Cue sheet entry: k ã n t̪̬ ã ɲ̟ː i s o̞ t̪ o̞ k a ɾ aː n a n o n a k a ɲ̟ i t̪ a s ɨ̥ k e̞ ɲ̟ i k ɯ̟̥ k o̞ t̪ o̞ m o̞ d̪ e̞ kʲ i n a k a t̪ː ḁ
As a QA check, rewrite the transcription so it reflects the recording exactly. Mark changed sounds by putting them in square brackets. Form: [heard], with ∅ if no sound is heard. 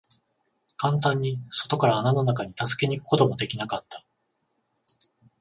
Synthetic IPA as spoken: k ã n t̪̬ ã ɲ̟ː i s o̞ t̪ o̞ k a ɾ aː n a n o n a k a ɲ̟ i t̪ a s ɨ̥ k e̞ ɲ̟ i k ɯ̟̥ k o̞ t̪ o̞ m o̞ d̪ e̞ kʲ i n a k a t̪ː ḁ